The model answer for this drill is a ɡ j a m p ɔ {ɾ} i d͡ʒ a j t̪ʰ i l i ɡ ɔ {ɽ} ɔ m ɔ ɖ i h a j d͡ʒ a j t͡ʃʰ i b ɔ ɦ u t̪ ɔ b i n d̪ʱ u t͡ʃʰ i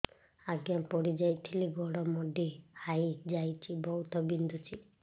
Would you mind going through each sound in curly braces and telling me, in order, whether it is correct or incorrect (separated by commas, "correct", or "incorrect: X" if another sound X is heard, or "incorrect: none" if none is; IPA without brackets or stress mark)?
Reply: incorrect: ɽ, correct